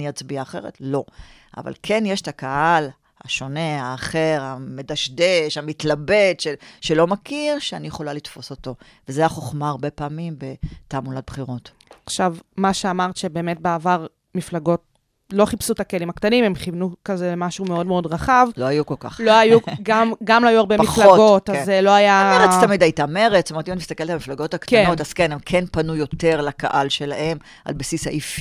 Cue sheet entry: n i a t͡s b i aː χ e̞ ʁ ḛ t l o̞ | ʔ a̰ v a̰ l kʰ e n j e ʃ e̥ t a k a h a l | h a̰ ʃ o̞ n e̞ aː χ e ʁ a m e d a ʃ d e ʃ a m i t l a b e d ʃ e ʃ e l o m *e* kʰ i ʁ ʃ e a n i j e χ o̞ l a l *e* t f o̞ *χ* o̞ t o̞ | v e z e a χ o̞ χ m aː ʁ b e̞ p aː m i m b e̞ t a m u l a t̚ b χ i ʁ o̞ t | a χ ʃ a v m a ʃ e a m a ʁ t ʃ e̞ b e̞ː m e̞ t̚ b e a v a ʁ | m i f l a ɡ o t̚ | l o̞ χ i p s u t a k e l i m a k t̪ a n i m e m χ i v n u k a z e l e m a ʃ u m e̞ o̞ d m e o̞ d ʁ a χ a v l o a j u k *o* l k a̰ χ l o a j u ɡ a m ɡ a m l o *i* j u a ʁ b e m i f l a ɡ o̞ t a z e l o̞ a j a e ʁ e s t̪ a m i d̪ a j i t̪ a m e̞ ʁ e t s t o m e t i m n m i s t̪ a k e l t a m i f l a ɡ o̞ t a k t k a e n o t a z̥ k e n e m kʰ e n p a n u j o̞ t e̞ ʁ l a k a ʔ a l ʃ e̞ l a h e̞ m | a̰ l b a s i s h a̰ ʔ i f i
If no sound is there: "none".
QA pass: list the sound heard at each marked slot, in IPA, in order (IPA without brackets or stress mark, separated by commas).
a, i, s, o, a